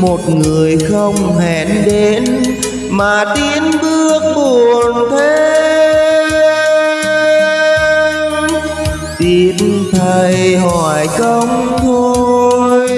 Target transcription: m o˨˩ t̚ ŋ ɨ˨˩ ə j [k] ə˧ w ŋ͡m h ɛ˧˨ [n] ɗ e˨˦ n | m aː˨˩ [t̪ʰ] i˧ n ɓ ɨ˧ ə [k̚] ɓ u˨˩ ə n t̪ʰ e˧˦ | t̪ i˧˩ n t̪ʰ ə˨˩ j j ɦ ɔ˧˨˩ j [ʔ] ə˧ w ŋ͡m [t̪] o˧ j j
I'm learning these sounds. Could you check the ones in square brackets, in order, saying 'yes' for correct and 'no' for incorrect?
no, yes, no, yes, no, no

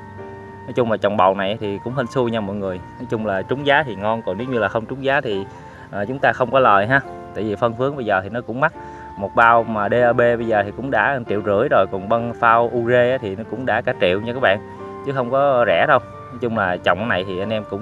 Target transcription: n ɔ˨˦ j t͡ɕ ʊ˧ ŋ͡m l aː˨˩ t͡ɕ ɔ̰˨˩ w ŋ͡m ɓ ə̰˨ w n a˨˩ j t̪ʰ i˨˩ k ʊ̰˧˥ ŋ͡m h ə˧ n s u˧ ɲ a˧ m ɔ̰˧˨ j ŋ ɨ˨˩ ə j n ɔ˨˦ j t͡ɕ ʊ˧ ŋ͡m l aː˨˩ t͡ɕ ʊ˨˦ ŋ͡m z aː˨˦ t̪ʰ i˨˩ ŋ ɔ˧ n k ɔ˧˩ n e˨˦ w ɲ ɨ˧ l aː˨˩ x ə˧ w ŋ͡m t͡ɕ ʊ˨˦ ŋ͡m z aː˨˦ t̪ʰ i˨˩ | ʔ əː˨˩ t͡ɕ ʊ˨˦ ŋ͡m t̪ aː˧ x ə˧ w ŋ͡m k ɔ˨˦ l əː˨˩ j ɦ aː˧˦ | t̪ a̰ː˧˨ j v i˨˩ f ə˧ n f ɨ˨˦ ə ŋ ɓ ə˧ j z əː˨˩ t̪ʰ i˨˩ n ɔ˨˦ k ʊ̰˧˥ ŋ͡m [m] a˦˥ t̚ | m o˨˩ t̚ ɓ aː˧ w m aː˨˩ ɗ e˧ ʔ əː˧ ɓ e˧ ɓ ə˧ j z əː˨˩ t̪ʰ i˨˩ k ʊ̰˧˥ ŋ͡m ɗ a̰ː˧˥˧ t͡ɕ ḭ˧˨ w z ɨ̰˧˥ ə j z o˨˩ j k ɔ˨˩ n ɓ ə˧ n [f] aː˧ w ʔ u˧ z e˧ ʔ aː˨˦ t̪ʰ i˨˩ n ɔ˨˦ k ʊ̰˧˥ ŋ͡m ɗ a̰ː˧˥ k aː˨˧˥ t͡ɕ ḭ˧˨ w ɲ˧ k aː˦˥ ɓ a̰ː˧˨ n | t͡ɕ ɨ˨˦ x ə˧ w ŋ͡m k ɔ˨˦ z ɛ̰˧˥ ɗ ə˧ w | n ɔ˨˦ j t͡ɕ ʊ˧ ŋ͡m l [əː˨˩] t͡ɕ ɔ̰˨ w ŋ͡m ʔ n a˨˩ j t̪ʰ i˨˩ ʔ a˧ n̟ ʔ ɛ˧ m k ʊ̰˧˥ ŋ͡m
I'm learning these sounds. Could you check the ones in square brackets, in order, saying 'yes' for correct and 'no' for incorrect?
yes, yes, no

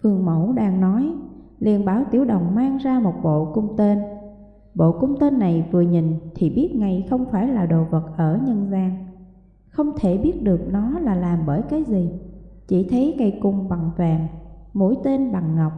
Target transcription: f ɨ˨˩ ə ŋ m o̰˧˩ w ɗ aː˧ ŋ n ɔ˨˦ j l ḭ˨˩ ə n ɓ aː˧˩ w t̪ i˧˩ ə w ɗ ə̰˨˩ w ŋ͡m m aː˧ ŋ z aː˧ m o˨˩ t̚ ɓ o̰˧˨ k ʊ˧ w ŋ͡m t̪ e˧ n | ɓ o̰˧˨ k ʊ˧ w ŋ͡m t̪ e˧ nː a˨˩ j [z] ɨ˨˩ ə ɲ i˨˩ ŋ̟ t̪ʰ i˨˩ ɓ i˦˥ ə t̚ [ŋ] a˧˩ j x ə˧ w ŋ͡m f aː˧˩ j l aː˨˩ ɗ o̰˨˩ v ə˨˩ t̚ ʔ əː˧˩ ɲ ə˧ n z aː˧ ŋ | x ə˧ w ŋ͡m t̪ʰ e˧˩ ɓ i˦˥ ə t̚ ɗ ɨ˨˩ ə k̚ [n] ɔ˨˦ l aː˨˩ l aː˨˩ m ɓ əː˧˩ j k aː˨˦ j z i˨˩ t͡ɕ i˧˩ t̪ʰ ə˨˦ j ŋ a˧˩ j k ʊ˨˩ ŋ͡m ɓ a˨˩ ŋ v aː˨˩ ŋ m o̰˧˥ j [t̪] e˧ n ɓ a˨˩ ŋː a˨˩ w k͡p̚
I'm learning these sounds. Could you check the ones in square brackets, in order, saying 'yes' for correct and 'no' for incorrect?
no, yes, yes, yes

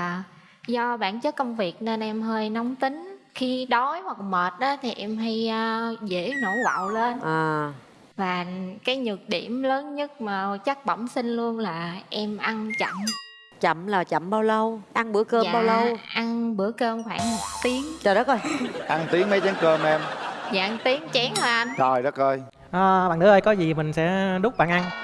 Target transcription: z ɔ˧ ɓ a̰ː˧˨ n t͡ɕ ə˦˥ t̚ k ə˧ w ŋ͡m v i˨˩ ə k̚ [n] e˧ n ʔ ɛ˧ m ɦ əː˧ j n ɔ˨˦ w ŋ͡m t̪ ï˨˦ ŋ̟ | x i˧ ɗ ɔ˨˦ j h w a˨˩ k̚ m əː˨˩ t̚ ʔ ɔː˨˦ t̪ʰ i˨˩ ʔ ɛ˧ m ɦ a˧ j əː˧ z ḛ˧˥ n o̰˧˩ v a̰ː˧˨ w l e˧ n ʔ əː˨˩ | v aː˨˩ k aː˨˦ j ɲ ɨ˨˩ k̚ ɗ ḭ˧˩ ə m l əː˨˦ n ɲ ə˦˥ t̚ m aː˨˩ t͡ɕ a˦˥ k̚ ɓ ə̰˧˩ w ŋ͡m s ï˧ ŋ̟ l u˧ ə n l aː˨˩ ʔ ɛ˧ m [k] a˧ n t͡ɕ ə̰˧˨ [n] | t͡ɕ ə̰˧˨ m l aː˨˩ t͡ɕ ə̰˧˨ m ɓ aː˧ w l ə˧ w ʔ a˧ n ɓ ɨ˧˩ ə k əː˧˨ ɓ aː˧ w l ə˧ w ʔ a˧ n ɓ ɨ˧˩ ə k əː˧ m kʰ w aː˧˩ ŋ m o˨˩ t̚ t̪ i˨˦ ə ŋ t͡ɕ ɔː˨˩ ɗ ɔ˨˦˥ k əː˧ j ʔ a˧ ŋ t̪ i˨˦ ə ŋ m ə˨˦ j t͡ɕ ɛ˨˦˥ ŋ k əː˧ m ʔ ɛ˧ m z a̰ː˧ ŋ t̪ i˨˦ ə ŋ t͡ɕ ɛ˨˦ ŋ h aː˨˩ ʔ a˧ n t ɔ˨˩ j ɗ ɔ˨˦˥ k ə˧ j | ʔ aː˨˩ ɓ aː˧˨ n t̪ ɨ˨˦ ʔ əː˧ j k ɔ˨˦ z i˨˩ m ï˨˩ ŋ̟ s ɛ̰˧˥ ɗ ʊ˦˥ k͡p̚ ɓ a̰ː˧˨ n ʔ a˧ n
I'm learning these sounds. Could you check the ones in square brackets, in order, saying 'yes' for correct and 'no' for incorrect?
yes, no, no

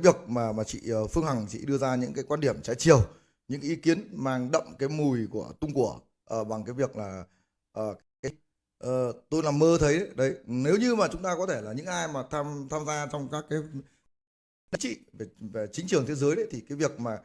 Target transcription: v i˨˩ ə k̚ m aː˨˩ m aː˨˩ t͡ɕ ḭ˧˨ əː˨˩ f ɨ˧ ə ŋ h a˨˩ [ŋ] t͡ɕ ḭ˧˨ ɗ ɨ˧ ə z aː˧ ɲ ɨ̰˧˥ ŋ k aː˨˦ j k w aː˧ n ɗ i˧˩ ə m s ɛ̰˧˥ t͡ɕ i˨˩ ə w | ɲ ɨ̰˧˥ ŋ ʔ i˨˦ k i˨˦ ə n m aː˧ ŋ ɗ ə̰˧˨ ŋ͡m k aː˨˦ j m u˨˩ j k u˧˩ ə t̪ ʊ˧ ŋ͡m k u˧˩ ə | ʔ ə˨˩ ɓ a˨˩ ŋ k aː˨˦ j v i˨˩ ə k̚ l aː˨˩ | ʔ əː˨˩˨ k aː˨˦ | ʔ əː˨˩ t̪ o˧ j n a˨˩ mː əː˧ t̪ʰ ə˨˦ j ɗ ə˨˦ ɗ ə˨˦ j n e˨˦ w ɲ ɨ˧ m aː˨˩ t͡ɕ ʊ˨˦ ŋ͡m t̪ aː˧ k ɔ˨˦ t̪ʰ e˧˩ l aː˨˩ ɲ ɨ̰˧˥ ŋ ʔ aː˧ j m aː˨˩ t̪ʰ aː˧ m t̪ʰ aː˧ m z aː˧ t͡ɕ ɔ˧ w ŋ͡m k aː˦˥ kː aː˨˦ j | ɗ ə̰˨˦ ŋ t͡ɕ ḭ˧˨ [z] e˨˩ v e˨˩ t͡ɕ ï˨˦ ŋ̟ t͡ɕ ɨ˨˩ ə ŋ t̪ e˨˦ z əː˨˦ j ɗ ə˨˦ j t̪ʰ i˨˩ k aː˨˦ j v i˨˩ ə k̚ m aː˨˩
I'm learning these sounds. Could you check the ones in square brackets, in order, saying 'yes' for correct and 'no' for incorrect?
yes, no

